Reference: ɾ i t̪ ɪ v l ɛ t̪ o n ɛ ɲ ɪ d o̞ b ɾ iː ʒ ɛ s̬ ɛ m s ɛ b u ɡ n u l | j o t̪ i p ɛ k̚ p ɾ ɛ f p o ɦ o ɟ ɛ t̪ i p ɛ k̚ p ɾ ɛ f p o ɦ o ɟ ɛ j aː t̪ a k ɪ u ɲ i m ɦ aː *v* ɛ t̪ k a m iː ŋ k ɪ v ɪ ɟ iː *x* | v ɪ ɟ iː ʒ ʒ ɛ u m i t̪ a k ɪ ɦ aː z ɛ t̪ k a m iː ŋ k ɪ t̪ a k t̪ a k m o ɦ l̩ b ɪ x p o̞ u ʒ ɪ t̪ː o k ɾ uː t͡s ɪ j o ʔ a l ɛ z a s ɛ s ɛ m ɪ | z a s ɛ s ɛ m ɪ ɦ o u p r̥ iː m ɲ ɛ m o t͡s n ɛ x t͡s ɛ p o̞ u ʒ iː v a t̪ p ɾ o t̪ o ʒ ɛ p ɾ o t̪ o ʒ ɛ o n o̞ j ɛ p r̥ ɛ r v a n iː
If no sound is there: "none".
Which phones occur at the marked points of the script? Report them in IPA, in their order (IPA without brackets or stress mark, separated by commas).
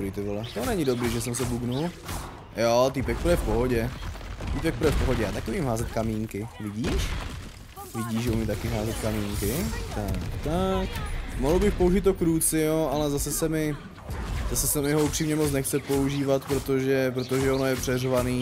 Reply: z, ʃ